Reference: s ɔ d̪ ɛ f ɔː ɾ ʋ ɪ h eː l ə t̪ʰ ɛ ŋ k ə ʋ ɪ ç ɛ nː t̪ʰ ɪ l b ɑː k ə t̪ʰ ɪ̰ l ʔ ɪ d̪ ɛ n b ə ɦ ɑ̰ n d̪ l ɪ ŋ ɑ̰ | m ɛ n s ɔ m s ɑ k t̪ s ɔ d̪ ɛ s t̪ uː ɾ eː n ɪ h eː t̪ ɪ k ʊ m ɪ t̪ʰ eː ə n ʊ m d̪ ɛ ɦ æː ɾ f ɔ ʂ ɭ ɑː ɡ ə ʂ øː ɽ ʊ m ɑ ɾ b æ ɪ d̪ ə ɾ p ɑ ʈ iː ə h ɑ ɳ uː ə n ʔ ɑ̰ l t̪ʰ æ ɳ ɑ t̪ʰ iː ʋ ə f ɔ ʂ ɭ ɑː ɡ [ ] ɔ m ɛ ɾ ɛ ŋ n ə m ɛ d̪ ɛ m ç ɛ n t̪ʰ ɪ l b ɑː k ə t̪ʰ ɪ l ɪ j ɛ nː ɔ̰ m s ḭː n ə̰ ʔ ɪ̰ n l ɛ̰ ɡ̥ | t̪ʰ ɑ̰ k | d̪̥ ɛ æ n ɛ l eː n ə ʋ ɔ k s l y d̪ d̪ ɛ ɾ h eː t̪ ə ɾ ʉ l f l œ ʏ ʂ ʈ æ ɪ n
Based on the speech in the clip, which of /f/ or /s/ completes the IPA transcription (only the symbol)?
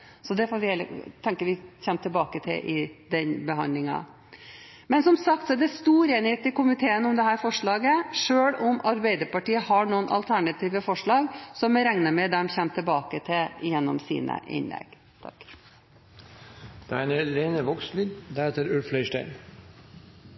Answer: s